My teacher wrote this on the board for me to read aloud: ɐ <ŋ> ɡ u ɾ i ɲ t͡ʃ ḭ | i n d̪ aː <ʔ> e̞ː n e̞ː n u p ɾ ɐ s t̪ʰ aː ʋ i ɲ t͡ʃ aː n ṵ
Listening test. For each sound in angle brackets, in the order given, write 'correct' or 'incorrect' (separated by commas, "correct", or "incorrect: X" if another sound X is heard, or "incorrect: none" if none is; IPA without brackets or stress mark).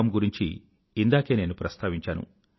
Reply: incorrect: m, incorrect: k